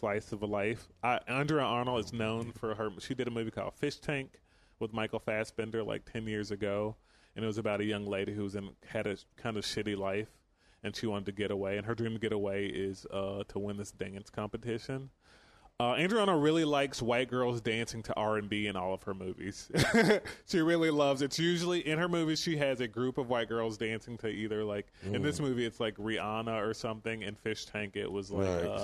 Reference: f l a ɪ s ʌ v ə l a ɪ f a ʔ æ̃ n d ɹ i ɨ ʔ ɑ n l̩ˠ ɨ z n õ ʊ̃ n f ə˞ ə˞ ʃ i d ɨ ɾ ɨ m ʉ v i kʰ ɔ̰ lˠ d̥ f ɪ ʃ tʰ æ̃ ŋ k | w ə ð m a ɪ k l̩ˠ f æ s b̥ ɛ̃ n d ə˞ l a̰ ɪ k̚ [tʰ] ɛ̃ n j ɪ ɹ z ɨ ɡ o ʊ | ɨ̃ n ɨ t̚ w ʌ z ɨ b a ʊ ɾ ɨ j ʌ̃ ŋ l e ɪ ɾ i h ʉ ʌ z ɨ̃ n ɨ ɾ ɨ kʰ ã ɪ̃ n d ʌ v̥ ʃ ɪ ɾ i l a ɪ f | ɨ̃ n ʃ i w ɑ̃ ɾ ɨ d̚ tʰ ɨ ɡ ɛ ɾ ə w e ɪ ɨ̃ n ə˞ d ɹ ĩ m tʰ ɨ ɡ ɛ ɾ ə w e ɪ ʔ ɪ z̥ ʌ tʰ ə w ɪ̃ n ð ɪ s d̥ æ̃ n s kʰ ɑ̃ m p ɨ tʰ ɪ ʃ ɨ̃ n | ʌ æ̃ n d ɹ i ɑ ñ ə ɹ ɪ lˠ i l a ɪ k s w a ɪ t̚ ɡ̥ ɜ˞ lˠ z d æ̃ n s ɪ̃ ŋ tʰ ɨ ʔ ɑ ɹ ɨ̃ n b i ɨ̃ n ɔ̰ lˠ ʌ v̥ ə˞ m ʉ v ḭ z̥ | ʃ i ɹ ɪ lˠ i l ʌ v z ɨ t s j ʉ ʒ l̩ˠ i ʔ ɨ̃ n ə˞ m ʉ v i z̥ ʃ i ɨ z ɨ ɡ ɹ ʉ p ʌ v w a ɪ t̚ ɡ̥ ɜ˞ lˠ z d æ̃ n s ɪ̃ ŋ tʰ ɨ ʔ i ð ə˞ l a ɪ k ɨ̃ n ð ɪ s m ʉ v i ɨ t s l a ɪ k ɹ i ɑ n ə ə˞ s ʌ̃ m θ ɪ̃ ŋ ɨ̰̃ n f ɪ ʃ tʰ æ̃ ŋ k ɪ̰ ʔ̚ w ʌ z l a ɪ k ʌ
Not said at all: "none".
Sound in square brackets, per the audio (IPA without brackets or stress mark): tʰ